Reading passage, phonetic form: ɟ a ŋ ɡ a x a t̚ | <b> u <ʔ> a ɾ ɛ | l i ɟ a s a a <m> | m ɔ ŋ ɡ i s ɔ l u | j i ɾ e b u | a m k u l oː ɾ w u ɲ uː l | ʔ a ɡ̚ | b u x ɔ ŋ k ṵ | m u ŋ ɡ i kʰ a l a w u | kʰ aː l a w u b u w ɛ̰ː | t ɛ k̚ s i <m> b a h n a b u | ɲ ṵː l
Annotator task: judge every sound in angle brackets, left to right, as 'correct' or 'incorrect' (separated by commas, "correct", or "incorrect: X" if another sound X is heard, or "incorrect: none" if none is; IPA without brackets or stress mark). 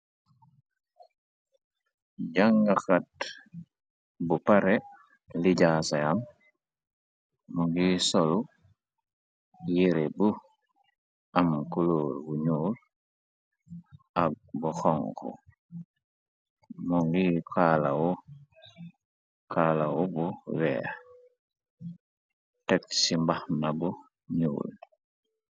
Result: correct, incorrect: p, correct, correct